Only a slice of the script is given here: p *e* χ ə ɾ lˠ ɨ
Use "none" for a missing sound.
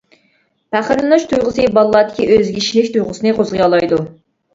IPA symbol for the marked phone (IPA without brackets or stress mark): æ